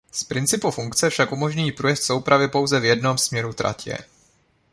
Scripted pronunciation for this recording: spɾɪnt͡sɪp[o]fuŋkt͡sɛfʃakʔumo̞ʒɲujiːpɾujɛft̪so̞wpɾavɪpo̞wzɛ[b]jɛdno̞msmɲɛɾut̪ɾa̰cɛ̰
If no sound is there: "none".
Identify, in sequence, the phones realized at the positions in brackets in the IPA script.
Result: u, v

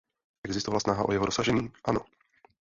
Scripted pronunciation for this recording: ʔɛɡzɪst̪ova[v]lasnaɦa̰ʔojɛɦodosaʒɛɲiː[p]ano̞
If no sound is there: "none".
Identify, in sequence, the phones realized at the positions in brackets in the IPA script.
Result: none, ʔ

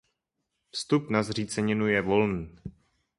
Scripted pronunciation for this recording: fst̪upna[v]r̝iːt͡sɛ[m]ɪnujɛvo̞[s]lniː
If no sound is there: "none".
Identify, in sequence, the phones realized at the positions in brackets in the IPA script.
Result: z, ɲ, none

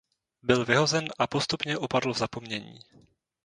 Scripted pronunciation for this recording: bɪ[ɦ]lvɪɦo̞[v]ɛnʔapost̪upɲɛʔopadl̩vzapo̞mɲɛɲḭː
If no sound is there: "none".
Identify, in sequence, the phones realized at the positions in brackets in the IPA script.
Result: none, z

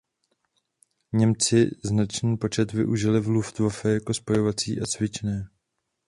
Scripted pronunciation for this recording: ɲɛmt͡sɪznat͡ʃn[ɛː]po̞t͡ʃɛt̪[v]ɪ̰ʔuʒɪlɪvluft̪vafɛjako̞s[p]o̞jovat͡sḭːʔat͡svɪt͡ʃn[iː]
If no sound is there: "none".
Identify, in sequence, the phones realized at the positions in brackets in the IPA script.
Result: iː, v, p, ɛː

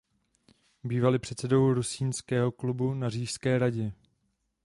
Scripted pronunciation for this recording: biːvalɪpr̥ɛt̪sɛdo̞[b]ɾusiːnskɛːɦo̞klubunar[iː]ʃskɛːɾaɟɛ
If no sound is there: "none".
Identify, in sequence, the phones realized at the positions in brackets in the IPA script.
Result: w, iː

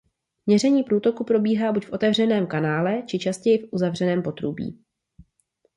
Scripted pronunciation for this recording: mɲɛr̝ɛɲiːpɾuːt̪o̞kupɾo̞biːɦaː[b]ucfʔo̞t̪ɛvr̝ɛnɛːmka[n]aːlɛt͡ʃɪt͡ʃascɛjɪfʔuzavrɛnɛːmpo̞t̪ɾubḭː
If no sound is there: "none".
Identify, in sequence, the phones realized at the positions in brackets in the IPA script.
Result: b, n

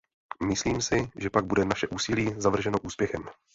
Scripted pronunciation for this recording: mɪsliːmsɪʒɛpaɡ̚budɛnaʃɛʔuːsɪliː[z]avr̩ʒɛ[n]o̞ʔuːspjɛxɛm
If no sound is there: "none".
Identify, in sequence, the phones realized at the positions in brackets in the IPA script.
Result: z, n

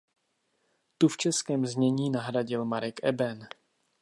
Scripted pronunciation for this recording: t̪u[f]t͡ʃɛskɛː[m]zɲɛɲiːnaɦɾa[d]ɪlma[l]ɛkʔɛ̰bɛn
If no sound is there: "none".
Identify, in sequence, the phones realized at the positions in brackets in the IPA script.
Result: f, m, ɟ, ɾ

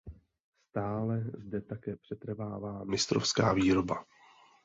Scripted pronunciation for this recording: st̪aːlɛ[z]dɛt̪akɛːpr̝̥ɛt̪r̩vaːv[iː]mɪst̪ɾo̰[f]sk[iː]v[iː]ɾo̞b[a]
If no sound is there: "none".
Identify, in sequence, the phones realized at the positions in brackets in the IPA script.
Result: z, aː, f, aː, iː, a

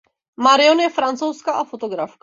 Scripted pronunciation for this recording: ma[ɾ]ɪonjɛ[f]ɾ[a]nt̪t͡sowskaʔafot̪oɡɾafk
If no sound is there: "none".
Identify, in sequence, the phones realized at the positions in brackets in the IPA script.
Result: ɾ, f, a

